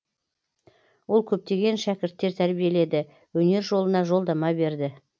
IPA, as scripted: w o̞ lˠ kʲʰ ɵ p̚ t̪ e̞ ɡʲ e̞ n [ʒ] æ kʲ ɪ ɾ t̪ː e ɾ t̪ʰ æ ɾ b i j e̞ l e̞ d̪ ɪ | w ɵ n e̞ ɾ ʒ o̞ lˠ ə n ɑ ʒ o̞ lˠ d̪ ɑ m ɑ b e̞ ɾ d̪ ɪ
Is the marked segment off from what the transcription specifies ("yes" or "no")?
yes